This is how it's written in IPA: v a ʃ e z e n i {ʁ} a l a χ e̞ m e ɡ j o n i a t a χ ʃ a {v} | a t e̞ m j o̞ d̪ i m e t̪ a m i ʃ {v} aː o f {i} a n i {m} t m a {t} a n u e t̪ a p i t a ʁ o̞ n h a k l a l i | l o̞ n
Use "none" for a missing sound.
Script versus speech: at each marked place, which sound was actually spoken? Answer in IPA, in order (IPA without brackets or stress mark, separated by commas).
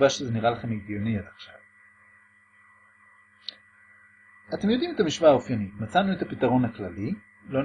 ʁ, v, v, j, none, t͡s